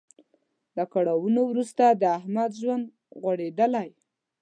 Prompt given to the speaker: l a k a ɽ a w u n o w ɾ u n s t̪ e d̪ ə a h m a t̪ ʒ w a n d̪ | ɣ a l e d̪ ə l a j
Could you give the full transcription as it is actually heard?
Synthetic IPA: l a k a ɽ a w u n o w ɾ u s t̪ a d̪ ə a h m a d̪ ʒ w a n d̪ | ɣ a ɽ e d̪ ə l a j